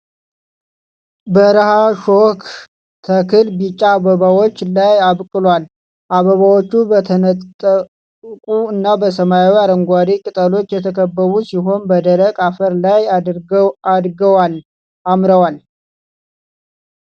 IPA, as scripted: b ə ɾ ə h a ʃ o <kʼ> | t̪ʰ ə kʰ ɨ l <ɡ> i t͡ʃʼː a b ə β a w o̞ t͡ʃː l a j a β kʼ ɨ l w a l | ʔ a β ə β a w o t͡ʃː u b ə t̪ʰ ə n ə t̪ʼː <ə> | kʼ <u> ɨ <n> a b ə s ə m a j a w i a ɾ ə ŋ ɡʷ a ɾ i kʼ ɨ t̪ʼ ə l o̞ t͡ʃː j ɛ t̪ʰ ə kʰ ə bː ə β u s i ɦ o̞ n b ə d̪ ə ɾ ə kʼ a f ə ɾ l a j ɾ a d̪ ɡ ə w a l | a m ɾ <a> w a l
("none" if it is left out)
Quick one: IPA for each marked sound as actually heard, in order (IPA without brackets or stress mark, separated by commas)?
k, b, ə, u, nː, ə